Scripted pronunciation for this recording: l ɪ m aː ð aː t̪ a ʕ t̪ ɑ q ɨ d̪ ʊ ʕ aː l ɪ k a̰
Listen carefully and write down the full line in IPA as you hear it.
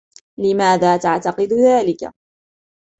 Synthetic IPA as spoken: l ɪ m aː ð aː t̪ a ʕ t̪ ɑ q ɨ d̪ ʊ ð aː l ɪ k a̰